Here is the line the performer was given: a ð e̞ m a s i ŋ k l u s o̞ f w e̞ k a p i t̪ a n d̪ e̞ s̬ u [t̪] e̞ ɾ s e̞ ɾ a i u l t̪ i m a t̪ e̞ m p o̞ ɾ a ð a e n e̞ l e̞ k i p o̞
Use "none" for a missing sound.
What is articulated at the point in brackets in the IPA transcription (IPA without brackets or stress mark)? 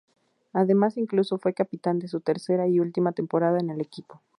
t̪